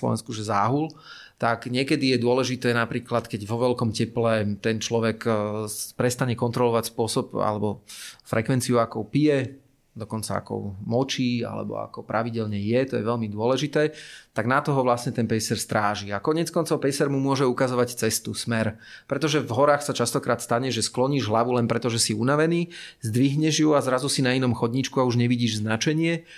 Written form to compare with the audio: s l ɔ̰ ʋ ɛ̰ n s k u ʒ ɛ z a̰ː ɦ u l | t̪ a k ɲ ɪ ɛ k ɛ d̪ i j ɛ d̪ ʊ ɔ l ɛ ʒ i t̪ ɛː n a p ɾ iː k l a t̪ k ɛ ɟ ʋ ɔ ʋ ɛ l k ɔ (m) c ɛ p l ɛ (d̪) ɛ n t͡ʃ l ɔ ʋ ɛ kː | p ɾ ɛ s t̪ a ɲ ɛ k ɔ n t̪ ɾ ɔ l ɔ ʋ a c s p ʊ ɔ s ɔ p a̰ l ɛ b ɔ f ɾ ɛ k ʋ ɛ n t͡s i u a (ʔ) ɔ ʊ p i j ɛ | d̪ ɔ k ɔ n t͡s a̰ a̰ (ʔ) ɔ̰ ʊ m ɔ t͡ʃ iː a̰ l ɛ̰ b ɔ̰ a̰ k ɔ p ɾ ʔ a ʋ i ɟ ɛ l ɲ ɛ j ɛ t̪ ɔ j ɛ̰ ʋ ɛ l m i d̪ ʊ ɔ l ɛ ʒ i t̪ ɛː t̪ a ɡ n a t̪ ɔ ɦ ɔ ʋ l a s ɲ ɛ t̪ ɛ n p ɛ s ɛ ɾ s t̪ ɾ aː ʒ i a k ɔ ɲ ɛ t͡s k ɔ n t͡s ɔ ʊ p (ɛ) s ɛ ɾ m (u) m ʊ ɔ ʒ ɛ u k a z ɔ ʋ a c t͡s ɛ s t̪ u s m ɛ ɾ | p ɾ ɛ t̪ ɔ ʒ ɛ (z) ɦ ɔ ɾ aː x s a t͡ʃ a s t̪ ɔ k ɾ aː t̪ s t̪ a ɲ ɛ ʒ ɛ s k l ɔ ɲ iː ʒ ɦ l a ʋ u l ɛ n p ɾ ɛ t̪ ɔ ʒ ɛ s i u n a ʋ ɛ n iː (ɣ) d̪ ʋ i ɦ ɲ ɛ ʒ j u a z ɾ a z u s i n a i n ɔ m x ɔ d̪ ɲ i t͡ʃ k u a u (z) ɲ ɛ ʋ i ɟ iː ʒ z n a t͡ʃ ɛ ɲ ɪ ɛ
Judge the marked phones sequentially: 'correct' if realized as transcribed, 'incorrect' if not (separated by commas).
correct, incorrect, incorrect, incorrect, correct, correct, incorrect, incorrect, incorrect